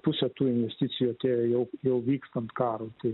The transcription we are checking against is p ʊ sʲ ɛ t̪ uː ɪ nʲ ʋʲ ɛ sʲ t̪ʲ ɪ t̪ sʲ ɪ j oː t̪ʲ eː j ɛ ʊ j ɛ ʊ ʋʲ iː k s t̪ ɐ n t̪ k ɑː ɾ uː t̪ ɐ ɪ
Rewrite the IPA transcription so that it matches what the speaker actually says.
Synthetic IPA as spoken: p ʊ sʲ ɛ t̪ uː ɪ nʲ ʋʲ ɛ sʲ t̪ʲ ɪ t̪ sʲ ɪ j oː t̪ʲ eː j ɛ ʊ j ɛ ʊ ʋʲ iː k s t̪ ɐ n t̪ k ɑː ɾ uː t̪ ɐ ɪ